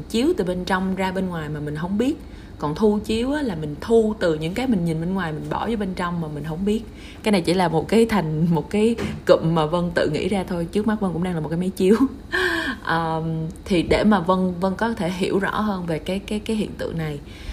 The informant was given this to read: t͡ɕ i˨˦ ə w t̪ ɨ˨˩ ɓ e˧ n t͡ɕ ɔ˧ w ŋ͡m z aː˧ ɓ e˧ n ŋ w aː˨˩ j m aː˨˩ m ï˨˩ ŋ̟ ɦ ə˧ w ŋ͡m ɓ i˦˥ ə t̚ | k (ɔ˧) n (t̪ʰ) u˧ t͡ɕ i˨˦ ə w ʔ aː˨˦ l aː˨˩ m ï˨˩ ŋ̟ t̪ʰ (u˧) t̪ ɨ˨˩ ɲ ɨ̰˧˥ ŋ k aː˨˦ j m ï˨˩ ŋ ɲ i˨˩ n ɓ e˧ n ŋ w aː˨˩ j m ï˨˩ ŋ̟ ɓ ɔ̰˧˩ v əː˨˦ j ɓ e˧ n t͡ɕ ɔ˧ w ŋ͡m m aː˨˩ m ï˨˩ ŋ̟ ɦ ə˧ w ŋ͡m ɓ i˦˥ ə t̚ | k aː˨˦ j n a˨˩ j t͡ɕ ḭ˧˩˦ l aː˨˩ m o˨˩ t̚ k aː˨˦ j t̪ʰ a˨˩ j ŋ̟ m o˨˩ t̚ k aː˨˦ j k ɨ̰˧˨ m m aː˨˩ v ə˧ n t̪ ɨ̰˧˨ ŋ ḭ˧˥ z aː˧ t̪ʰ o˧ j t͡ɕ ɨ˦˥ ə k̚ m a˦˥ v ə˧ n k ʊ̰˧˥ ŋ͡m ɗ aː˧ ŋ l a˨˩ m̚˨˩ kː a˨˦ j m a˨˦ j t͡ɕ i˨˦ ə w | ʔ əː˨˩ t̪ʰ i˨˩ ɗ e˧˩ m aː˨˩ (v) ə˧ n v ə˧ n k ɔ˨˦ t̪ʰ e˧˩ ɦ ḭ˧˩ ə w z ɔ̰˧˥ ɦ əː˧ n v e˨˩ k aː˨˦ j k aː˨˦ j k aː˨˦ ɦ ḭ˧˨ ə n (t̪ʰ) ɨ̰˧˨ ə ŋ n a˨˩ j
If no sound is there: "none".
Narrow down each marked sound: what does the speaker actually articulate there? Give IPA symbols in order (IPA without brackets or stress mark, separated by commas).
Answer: ɔ˨˩, t̪ʰ, u˧, v, t̪